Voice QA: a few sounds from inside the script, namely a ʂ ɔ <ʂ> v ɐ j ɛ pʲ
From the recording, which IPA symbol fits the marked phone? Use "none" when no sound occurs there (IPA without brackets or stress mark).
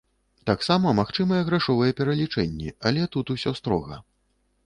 none